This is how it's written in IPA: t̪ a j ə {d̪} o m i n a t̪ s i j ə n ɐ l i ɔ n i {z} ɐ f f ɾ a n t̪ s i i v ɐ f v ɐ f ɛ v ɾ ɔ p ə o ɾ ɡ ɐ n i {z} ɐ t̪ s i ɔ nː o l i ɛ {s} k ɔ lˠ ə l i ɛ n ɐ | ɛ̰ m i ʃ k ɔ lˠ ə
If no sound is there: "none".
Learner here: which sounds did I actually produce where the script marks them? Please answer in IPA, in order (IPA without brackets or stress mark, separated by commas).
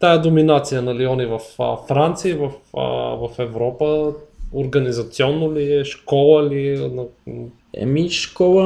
d̪, v, z, ʃ